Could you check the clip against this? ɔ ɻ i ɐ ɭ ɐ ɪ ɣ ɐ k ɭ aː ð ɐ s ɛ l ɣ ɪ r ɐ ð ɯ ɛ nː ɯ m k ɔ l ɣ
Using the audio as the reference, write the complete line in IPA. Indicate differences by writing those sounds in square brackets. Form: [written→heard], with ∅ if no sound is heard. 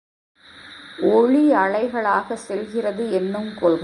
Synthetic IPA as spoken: ɔ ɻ i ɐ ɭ ɐ ɪ ɣ ɐ [k→∅] ɭ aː [ð→ɣ] ɐ s ɛ l ɣ ɪ r ɐ ð ɯ ɛ nː ɯ m k ɔ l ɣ